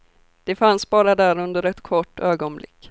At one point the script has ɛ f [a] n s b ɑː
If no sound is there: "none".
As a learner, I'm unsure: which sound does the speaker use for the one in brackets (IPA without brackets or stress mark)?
a